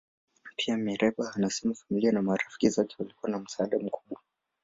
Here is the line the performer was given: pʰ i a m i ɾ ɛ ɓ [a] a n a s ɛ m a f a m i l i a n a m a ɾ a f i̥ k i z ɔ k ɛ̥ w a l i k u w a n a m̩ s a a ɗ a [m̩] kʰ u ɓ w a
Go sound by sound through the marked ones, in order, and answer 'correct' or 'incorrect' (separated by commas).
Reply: correct, correct